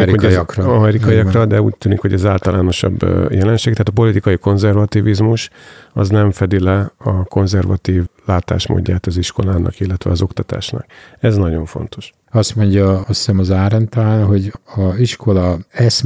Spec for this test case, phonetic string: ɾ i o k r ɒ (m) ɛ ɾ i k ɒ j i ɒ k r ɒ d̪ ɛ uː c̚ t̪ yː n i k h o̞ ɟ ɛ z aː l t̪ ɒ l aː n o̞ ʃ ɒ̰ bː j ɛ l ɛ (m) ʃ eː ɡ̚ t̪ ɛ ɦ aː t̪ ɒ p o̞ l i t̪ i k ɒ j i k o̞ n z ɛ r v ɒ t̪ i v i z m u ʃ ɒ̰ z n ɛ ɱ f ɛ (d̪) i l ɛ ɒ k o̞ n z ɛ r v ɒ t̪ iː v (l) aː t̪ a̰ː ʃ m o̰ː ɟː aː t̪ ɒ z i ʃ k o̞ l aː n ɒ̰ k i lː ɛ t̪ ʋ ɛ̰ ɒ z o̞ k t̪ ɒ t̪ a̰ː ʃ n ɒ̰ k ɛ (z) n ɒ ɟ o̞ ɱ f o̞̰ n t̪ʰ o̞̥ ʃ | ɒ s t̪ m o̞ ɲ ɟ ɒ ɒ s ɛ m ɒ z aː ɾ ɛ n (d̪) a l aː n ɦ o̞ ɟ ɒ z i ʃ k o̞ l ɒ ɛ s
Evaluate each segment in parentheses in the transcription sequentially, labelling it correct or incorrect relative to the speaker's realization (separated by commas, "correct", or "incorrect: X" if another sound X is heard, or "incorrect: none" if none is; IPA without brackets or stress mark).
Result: correct, incorrect: n, correct, correct, correct, incorrect: t̪